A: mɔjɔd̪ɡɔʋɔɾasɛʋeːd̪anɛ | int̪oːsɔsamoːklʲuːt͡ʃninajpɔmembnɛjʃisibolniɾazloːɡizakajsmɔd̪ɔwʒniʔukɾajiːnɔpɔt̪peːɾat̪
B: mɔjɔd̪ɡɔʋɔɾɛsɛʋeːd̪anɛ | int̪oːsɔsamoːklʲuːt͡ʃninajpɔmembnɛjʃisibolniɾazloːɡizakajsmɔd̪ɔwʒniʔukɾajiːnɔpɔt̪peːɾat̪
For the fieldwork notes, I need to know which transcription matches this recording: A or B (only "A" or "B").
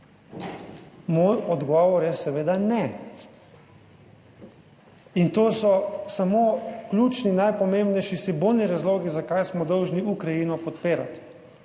B